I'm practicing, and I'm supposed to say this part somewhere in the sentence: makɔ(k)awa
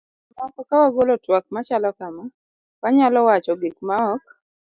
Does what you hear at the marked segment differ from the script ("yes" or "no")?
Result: no